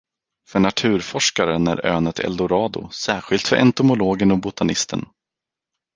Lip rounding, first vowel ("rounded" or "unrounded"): rounded